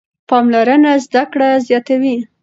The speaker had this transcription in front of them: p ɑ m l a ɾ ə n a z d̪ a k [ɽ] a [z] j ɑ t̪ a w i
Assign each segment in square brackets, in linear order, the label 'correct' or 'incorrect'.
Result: correct, correct

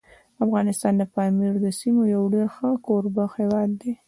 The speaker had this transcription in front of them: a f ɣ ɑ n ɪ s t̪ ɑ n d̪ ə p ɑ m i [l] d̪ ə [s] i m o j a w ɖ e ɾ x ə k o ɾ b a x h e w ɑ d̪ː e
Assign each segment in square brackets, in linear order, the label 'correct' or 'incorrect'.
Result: incorrect, correct

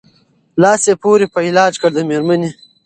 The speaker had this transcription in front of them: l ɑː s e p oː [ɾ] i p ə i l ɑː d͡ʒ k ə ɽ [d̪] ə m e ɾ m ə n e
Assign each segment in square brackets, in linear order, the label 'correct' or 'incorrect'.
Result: correct, correct

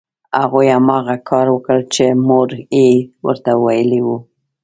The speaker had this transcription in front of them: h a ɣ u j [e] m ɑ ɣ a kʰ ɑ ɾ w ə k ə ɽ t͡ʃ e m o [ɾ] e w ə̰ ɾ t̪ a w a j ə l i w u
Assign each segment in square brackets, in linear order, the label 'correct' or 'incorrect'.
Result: incorrect, correct

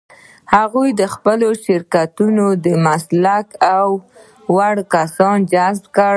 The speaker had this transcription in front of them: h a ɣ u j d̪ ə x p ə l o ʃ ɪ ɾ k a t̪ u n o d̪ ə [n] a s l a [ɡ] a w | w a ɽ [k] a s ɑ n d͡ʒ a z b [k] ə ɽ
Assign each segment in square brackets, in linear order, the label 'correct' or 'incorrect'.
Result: incorrect, incorrect, correct, correct

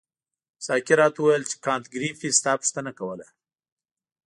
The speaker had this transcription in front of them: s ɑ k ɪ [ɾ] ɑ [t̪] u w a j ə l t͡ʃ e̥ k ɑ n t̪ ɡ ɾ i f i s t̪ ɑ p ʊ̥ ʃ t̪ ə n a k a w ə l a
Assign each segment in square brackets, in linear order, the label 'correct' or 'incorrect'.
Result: correct, correct

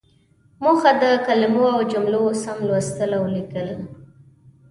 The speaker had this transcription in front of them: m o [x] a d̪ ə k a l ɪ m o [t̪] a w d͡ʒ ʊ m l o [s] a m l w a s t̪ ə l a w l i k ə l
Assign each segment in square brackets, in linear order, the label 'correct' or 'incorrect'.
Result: correct, incorrect, correct

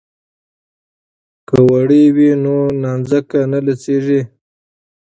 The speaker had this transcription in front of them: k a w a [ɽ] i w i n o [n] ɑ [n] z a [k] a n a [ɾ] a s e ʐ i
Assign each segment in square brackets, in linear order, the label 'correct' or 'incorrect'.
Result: correct, correct, correct, correct, incorrect

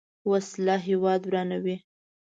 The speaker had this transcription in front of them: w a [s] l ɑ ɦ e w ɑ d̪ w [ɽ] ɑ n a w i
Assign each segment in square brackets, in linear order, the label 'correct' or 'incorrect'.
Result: correct, incorrect

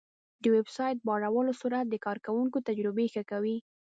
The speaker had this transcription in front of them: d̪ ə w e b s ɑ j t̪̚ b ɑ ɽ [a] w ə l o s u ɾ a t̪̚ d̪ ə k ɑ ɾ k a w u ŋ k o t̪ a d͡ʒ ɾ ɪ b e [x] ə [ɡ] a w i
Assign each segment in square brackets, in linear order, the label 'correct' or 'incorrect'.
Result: correct, correct, incorrect

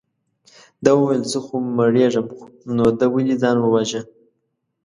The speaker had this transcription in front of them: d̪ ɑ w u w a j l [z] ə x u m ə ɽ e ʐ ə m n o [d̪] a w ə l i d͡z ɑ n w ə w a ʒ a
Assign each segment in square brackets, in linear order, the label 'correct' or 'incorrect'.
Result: correct, correct

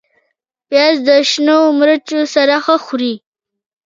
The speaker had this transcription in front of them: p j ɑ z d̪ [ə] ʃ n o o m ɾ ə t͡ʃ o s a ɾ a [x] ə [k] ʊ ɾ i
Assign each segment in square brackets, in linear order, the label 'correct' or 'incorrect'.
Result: correct, correct, incorrect

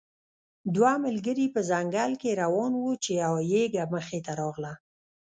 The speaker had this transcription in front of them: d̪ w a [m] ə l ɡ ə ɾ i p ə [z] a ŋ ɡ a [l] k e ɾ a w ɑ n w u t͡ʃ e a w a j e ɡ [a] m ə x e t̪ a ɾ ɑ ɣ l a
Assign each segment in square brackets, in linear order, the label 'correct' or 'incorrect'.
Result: correct, correct, correct, correct

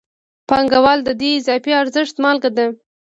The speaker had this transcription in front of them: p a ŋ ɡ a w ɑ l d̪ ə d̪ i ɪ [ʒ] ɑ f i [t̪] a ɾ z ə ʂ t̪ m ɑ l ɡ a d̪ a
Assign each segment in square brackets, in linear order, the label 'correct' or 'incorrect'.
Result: incorrect, incorrect

